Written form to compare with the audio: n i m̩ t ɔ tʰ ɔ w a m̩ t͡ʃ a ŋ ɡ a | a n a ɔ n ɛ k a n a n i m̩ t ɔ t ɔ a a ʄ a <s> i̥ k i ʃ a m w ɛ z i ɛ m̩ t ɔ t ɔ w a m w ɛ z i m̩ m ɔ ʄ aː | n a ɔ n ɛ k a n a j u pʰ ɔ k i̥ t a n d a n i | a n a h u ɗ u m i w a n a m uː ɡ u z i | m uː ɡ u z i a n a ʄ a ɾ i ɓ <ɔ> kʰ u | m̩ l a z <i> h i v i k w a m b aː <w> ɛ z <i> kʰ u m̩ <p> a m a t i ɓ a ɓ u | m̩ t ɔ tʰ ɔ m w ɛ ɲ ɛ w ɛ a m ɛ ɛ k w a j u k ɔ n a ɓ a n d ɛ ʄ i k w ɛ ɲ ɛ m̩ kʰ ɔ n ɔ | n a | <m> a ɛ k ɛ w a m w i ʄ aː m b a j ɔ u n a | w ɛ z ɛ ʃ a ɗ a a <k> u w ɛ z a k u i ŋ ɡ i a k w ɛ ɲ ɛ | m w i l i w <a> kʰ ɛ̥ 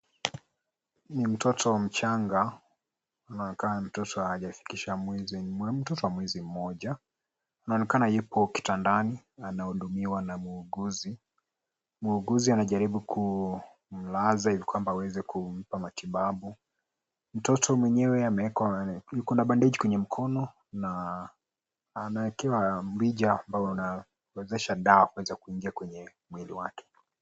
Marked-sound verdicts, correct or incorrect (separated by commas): incorrect, incorrect, incorrect, correct, incorrect, correct, incorrect, correct, correct